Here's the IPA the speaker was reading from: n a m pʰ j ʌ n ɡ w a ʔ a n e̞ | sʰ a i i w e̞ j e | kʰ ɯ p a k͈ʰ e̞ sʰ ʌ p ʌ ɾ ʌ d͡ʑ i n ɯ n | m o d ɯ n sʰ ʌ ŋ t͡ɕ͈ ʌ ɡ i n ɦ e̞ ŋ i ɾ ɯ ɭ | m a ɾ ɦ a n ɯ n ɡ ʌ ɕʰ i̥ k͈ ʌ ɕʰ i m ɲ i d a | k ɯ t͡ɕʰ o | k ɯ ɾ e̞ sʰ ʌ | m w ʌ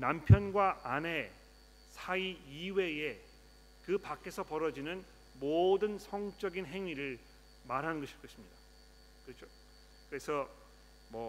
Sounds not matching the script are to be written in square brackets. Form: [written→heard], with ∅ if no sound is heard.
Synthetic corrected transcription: n a m pʰ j ʌ n ɡ w a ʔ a n e̞ | sʰ a i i w e̞ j e | [kʰ→k] ɯ p a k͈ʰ e̞ sʰ ʌ p ʌ ɾ ʌ d͡ʑ i n ɯ n | m o d ɯ n sʰ ʌ ŋ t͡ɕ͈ ʌ ɡ i n ɦ e̞ ŋ i ɾ ɯ ɭ | m a ɾ ɦ a n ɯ n ɡ ʌ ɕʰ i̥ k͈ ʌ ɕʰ i m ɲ i d a | k ɯ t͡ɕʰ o | k ɯ ɾ e̞ sʰ ʌ | m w ʌ